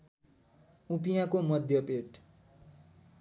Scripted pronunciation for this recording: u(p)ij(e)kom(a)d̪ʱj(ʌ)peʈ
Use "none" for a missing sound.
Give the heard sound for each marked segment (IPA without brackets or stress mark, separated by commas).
p, a, ʌ, ʌ